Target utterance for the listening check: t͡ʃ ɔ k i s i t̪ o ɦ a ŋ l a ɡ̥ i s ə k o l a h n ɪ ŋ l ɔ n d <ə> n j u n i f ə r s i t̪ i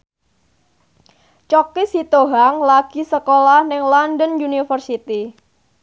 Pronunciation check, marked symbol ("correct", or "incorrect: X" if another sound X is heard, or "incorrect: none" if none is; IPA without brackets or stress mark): correct